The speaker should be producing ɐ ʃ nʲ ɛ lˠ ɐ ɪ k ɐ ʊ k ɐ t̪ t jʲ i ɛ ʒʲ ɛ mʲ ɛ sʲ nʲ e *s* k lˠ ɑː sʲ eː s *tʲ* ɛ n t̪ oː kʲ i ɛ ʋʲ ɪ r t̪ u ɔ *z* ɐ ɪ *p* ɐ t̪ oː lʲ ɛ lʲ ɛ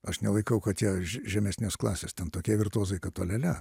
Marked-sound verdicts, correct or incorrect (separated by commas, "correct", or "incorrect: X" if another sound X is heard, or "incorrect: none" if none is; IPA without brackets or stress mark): correct, correct, correct, incorrect: k